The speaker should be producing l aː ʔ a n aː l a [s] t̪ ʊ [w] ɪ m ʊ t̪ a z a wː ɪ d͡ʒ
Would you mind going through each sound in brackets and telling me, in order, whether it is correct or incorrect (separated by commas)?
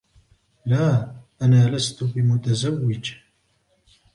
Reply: correct, incorrect